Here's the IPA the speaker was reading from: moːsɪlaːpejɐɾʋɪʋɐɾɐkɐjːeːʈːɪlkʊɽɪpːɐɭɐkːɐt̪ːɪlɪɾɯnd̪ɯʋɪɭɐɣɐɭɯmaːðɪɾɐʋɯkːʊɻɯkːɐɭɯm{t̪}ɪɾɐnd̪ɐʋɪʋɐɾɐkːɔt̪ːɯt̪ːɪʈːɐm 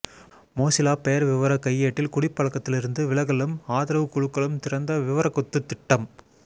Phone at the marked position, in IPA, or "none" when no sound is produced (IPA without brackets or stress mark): t̪